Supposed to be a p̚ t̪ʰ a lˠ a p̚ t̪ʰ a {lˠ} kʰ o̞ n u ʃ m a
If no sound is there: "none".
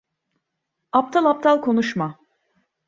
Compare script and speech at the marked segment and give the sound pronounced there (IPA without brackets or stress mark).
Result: lˠ